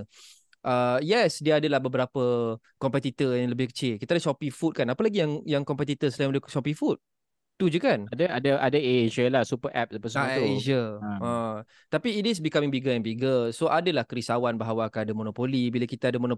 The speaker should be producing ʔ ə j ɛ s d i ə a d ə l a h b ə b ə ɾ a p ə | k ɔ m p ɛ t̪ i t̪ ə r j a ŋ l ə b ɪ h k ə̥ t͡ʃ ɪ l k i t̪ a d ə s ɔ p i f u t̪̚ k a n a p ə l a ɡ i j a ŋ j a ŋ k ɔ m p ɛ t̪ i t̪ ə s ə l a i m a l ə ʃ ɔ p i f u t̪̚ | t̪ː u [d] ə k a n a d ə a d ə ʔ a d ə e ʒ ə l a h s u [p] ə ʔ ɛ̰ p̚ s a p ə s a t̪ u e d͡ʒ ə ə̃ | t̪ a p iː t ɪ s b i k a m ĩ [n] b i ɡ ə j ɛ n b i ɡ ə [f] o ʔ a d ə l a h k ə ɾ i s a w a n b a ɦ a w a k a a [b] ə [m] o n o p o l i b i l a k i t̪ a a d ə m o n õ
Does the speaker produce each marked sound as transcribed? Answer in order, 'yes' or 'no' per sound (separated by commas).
no, yes, no, no, no, yes